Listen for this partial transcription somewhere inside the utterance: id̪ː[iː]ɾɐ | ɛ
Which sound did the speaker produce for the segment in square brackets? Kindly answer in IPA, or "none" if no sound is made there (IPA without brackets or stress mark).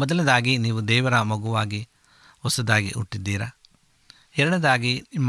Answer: iː